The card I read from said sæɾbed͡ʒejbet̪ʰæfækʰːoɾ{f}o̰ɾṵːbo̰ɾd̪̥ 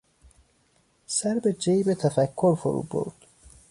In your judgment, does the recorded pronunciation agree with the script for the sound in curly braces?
yes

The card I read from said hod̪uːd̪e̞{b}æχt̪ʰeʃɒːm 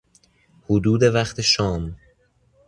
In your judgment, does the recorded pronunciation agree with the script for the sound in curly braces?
no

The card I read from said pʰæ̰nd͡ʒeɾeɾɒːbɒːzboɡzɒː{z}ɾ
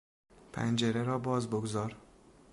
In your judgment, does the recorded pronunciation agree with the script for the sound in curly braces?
no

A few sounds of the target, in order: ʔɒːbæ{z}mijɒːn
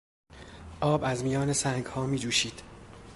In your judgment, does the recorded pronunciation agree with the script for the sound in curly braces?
yes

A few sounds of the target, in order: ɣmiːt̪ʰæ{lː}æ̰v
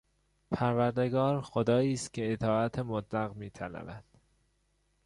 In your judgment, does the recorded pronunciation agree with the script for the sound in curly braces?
no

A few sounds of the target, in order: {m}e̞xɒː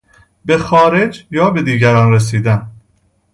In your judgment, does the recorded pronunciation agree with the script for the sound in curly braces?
no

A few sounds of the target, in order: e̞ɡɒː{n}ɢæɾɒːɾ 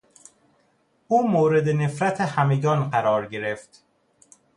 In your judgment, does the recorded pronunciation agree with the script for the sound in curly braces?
yes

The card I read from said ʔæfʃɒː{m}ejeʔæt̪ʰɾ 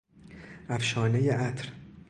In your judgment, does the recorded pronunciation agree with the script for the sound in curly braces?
no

